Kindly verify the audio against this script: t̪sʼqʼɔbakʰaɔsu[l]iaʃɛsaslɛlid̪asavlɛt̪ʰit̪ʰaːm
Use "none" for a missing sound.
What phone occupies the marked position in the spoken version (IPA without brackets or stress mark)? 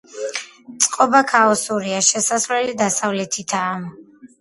ɾ